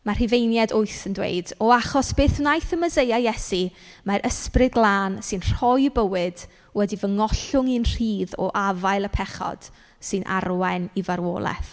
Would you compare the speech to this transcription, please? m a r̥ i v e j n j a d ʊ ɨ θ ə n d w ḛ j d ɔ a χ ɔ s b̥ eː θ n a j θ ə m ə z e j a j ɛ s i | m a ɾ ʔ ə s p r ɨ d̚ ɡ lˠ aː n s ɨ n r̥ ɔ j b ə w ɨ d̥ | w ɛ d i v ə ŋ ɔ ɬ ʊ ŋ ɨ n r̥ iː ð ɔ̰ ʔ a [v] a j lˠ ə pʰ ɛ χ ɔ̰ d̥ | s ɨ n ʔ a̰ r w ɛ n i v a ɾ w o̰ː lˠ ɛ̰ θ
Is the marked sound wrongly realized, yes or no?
no